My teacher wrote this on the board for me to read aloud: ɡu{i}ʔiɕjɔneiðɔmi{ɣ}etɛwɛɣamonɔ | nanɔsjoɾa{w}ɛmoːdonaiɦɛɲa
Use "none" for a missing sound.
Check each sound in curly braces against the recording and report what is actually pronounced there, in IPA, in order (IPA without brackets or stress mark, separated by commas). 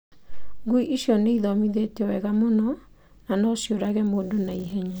i, ð, ɣ